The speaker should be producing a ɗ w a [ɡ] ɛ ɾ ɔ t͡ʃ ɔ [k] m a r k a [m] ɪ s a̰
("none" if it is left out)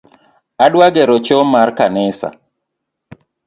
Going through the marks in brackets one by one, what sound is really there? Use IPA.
ɡ, none, n

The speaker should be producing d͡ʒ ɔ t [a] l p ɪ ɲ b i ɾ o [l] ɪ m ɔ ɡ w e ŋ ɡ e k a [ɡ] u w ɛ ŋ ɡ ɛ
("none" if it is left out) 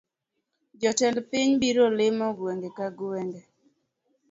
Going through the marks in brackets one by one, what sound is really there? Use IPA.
ɛ, l, ɡ

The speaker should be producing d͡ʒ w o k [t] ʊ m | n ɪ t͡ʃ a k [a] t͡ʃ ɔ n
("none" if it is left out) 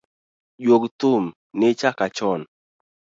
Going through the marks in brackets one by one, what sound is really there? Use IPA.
t, a

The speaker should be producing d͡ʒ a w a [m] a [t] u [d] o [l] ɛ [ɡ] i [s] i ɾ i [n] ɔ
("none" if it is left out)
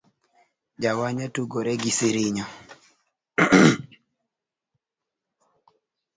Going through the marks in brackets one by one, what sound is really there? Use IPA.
ɲ, t, ɡ, ɾ, ɡ, s, ɲ

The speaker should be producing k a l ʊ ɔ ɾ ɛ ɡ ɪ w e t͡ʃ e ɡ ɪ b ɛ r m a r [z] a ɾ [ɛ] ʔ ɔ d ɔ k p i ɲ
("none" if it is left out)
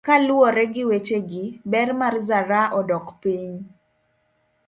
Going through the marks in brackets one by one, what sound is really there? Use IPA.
z, a

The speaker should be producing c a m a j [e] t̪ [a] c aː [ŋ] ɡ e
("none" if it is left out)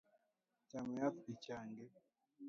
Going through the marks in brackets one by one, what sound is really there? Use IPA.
a, i, ŋ

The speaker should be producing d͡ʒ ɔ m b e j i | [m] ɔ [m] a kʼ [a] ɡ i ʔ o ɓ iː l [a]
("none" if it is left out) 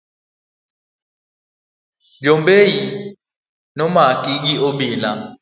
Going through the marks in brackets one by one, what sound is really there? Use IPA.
n, m, i, a

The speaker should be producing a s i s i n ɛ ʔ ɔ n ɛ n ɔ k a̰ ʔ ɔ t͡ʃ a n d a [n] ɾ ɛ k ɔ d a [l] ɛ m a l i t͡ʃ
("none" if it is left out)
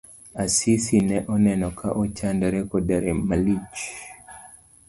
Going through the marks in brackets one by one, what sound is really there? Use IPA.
none, ɾ

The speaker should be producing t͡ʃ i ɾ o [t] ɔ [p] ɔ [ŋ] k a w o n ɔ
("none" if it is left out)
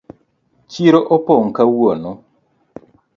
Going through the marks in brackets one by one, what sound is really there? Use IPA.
ʔ, p, ŋ

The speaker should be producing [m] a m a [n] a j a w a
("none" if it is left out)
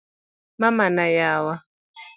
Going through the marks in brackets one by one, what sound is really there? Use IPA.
m, n

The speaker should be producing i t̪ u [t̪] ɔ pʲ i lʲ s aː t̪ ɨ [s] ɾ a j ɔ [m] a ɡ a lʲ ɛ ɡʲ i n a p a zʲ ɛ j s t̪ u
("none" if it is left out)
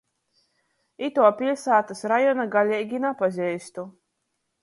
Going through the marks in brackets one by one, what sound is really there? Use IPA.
none, s, n

